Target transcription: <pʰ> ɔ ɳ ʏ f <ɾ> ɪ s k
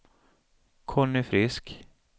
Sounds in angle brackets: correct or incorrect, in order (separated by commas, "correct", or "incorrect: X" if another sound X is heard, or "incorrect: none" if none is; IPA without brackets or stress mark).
incorrect: kʰ, correct